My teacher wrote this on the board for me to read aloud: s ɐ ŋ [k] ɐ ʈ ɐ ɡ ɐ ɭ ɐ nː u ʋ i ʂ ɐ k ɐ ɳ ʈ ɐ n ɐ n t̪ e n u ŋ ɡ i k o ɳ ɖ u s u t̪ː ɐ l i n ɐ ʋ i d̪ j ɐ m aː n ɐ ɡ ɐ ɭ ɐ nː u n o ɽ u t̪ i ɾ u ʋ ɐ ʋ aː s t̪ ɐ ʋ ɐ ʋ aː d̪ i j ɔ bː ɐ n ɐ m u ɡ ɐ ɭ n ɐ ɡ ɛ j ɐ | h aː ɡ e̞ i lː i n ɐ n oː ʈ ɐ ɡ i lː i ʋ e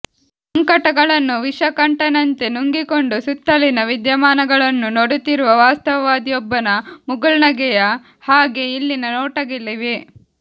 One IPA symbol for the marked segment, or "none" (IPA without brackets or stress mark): k